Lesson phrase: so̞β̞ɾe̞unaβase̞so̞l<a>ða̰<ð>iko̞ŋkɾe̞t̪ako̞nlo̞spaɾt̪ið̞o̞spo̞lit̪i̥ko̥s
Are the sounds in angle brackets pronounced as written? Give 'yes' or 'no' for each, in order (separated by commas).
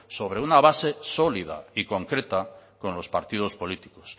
no, no